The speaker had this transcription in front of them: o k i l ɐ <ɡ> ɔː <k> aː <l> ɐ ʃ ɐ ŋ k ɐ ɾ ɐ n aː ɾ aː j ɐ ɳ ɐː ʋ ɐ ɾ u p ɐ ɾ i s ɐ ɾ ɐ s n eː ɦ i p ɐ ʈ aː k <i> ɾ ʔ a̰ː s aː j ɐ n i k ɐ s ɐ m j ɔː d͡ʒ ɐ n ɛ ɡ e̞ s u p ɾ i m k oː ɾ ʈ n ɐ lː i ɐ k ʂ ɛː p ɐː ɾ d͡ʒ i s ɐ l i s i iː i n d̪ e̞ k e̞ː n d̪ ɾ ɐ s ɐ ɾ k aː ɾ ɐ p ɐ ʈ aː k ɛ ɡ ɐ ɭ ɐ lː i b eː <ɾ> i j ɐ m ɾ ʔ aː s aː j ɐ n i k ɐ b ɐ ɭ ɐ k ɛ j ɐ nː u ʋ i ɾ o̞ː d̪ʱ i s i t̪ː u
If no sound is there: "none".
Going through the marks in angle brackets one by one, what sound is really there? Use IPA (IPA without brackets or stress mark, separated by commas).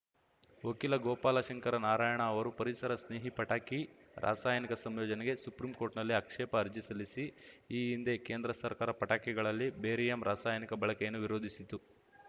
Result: ɡ, p, l, i, ɾ